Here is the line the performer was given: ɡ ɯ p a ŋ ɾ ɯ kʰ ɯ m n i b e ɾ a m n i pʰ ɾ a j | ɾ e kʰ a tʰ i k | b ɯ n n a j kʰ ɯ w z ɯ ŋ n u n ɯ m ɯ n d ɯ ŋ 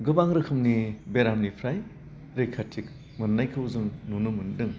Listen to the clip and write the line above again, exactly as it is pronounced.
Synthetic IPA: ɡ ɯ b a ŋ ɾ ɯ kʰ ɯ m n i b e ɾ a m n i pʰ ɾ a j | ɾ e kʰ a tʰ i k | m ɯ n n a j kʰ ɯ w z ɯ ŋ n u n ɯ m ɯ n d ɯ ŋ